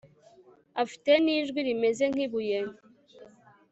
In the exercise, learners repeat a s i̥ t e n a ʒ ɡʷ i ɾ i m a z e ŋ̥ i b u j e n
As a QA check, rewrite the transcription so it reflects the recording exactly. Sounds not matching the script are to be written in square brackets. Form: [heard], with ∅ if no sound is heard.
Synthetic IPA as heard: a [f] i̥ t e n [i] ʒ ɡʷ i ɾ i m [e] z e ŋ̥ i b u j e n